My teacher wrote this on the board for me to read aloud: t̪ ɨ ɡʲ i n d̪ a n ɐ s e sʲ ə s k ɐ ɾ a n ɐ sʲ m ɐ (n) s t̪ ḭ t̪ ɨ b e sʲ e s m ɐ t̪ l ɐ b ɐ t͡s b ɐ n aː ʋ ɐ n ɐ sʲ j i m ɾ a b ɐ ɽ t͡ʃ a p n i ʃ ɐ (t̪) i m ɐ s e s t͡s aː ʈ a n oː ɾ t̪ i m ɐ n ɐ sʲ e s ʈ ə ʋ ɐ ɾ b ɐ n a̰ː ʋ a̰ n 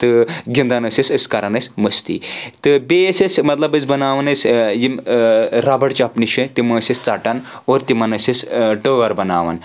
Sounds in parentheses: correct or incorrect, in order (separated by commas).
incorrect, correct